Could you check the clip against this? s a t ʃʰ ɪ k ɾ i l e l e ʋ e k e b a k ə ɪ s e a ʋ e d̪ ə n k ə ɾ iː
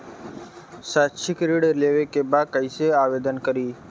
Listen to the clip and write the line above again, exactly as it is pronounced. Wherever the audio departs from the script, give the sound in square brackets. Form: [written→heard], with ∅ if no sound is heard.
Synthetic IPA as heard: s a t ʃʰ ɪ k ɾ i [l→ɽ] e l e ʋ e k e b a k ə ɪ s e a ʋ e d̪ ə n k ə ɾ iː